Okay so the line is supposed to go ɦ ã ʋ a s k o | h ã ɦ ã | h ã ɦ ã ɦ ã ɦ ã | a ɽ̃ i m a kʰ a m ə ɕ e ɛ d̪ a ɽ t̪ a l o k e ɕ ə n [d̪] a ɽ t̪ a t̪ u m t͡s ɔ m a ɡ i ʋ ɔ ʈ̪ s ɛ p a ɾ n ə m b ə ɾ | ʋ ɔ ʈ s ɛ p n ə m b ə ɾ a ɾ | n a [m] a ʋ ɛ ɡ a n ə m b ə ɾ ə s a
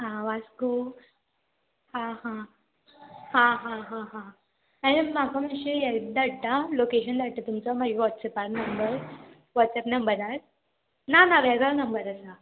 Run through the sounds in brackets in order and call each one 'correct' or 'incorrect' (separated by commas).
correct, incorrect